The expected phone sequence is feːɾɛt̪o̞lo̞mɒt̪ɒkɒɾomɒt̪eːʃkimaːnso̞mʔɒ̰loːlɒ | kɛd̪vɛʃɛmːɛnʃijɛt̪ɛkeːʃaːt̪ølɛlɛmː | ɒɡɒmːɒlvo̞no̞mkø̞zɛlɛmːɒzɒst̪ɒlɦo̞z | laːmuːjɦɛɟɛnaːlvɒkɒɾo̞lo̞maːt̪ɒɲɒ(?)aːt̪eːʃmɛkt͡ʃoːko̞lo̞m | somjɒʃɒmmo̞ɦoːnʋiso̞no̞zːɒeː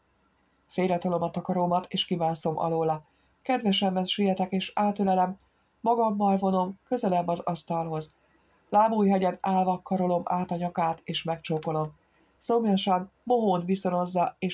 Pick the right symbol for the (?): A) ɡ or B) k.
B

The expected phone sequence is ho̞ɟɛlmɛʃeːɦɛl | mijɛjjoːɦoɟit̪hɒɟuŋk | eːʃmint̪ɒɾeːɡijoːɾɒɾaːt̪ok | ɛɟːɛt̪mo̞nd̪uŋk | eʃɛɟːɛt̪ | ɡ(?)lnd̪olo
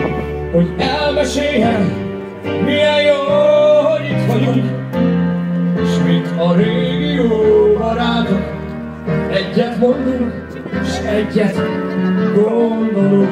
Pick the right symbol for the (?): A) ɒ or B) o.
B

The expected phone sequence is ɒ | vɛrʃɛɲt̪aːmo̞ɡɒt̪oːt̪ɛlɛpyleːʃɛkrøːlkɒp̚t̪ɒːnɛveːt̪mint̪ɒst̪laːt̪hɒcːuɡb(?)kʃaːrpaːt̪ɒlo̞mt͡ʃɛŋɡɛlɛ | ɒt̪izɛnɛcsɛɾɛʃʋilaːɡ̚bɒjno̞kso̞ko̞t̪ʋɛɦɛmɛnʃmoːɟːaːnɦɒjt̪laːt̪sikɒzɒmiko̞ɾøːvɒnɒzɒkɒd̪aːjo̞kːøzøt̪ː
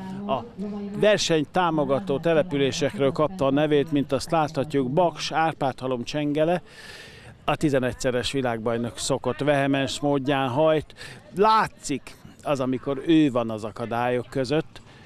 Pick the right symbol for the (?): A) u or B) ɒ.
B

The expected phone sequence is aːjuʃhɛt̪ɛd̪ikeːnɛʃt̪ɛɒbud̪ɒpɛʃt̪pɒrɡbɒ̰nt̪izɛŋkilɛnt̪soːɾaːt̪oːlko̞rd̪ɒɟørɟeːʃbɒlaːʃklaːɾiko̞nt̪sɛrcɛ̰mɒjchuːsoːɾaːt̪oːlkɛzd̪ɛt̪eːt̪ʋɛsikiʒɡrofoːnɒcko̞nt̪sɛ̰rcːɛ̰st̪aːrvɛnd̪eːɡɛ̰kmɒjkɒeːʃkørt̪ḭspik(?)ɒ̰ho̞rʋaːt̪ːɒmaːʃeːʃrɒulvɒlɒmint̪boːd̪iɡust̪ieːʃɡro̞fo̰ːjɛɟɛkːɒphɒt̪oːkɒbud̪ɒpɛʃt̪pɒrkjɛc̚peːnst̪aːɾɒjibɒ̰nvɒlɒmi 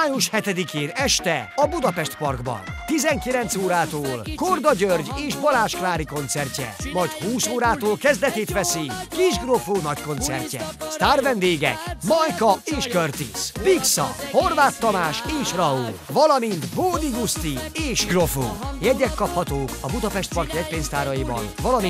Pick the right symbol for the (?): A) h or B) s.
B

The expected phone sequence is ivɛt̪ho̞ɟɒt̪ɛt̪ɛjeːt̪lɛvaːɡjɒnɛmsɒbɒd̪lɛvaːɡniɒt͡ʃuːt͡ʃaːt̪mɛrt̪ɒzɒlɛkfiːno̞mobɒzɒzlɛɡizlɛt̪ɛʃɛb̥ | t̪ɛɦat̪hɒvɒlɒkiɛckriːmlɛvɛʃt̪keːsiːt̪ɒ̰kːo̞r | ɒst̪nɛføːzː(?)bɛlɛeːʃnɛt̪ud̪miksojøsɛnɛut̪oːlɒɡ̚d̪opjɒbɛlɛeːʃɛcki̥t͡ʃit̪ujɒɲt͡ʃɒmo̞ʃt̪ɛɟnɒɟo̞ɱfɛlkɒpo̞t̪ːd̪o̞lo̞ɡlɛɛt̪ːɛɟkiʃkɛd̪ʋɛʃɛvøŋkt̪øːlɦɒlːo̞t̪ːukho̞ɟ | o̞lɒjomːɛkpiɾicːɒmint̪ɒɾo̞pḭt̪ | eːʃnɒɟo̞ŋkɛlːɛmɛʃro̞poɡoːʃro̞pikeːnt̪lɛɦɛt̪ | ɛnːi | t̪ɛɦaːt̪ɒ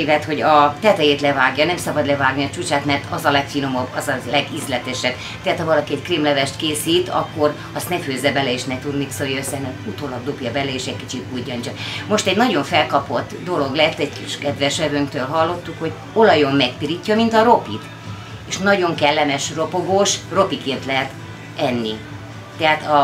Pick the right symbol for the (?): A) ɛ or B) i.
A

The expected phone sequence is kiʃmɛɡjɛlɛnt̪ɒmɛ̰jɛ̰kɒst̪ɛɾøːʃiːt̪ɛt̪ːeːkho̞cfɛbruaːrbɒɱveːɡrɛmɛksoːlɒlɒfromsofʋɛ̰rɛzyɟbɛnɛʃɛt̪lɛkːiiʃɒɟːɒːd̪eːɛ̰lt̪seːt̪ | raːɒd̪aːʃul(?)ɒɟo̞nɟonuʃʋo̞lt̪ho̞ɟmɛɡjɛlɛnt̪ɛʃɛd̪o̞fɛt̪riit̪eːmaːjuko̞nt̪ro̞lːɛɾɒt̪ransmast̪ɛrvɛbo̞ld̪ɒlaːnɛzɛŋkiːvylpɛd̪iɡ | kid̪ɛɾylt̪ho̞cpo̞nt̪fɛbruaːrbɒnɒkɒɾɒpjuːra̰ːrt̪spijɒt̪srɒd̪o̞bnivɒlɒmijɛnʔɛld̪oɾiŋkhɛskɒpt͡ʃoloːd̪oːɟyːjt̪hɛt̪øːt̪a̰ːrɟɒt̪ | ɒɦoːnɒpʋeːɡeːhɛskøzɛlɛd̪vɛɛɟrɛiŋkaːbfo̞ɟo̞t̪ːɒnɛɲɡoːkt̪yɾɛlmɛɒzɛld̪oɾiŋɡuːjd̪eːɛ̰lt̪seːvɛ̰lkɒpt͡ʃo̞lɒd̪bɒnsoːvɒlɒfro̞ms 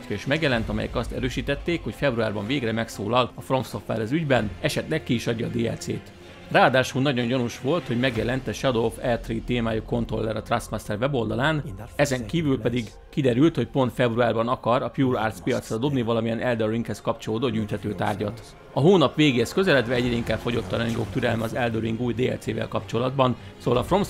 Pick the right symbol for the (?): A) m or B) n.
B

